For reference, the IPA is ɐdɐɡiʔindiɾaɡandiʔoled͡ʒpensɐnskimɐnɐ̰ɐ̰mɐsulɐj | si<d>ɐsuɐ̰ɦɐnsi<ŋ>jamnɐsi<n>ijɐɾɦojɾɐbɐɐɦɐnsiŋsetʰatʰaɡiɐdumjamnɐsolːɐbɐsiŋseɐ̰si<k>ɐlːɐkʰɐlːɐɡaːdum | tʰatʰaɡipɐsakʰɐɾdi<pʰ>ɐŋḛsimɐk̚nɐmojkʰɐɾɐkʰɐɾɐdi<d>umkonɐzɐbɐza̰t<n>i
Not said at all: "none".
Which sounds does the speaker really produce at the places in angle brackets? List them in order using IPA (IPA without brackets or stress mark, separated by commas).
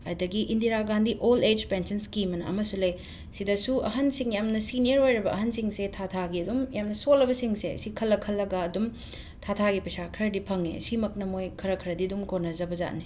d, ŋ, n, kʰ, pʰ, d, n